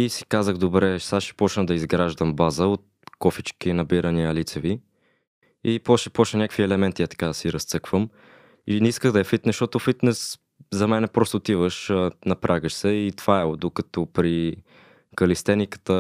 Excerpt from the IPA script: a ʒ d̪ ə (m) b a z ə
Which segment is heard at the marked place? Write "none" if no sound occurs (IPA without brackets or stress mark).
m